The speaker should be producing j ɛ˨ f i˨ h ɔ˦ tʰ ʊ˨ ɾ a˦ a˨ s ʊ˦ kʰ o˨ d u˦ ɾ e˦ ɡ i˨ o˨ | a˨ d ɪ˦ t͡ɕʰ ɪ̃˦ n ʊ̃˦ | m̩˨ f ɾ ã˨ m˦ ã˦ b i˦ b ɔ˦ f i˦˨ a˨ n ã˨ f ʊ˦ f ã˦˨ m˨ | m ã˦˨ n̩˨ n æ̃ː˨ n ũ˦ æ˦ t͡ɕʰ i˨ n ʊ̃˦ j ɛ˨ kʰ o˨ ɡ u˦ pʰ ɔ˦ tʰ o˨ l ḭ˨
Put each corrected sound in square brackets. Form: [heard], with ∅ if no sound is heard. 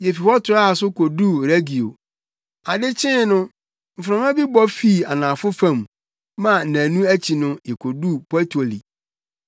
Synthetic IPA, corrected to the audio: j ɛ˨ f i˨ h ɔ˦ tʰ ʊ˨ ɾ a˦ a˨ s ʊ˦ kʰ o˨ d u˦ ɾ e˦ ɡ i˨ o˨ | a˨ d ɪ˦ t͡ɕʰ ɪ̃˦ n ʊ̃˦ | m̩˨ f ɾ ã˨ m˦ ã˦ b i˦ b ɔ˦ f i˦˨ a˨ n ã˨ f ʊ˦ f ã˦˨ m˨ | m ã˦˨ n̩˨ n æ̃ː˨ n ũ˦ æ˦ t͡ɕʰ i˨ n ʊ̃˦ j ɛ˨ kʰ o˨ [d] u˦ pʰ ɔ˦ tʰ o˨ l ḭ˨